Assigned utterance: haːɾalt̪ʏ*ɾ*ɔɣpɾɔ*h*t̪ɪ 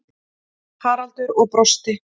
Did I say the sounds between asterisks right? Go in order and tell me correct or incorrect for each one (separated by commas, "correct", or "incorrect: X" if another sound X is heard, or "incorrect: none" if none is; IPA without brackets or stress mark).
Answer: correct, incorrect: s